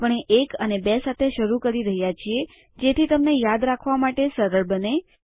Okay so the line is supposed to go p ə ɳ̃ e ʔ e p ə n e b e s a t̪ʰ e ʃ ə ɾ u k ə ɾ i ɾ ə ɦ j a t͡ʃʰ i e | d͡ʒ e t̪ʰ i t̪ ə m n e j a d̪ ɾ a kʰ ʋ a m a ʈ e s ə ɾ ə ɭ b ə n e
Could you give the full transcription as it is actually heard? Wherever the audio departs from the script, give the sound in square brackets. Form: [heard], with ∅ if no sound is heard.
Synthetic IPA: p ə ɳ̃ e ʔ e [k] ə n e b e s a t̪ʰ e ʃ ə ɾ u k ə ɾ i ɾ ə ɦ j a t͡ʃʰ i e | d͡ʒ e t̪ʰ i t̪ ə m n e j a d̪ ɾ a kʰ ʋ a m a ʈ e s ə ɾ ə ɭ b ə n e